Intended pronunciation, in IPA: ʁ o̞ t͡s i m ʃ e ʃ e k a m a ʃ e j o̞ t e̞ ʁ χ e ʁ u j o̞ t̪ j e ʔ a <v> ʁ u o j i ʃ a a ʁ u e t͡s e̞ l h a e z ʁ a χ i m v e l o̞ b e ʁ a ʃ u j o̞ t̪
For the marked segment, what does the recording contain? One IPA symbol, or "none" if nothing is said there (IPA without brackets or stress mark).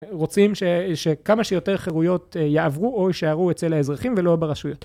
v